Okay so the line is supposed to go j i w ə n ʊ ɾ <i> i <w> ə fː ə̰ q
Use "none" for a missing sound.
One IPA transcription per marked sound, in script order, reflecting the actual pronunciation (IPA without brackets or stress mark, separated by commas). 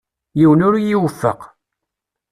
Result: j, w